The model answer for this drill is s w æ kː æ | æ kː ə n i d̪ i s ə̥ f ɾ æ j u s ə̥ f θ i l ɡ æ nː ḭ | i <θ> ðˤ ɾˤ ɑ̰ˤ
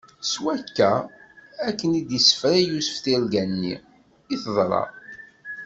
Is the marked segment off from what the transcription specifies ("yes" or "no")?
no